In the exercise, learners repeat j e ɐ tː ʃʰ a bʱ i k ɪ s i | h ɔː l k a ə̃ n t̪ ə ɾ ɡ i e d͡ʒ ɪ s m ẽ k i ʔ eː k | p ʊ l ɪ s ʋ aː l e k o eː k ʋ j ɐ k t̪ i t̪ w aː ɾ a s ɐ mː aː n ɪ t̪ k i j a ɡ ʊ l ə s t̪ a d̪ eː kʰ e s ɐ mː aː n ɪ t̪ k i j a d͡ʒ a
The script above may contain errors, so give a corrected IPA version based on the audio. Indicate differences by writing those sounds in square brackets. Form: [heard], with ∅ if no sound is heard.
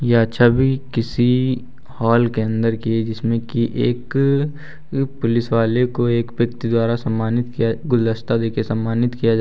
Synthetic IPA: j e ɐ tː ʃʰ a bʱ i k ɪ s i | h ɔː l k [e] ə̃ n [d̪] ə ɾ [k] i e d͡ʒ ɪ s m ẽ k i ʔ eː k | p ʊ l ɪ s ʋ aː l e k o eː k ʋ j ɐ k t̪ i [d̪] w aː ɾ a s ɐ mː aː n ɪ t̪ k i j a ɡ ʊ l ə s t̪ a d̪ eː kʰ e s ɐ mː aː n ɪ t̪ k i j a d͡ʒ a